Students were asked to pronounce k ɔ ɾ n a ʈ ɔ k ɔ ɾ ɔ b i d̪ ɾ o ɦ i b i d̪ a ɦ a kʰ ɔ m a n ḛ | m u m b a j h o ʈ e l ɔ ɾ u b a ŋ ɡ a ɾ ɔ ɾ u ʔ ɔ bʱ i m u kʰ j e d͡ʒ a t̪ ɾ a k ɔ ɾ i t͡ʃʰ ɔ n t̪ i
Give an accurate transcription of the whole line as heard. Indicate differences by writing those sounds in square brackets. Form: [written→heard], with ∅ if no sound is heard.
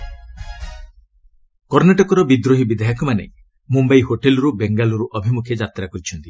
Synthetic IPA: k ɔ ɾ n a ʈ ɔ k ɔ ɾ ɔ b i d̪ ɾ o ɦ i b i d̪ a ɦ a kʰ ɔ m a n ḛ | m u m b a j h o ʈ e l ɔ ɾ u b [a→e] ŋ ɡ a [ɾ→l] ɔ ɾ u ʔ ɔ bʱ i m u kʰ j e d͡ʒ a t̪ ɾ a k ɔ ɾ i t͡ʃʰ ɔ n t̪ i